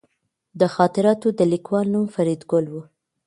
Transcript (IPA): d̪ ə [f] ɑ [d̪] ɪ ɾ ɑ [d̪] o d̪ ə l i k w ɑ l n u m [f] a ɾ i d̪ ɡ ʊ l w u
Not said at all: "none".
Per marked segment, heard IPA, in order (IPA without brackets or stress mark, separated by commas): x, t̪, t̪, f